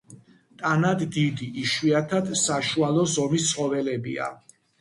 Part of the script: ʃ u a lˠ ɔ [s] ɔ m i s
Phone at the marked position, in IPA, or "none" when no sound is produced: z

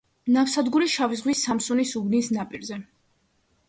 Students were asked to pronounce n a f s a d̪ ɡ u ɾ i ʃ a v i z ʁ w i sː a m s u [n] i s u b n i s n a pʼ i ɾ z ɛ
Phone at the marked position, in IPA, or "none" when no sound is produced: n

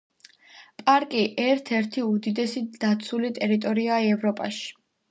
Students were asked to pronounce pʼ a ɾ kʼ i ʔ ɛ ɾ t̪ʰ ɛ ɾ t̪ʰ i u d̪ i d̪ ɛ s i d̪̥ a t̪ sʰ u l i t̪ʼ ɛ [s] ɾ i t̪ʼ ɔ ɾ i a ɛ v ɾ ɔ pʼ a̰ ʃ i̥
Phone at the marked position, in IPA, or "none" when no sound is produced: none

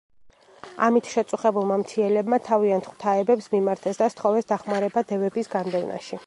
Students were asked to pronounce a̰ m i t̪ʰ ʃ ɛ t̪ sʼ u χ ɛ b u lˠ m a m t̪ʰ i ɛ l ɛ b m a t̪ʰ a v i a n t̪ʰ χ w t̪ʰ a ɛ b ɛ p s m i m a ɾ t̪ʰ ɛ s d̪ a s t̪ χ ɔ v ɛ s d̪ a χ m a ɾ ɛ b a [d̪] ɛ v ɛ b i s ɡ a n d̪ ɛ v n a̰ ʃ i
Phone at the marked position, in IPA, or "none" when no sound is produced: d̪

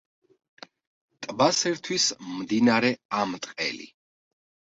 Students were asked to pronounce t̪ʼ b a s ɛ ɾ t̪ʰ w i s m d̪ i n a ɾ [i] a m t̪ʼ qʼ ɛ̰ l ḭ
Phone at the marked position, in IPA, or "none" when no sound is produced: ɛ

